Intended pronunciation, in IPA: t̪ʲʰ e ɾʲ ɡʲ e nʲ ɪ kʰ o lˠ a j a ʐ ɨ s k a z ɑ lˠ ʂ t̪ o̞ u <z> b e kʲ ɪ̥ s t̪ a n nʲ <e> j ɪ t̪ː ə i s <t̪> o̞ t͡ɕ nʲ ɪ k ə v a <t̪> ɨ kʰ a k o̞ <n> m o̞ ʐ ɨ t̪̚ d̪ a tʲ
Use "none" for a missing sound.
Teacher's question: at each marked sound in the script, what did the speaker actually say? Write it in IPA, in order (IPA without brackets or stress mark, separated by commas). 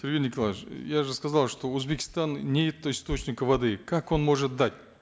z, e, t̪, d̪, n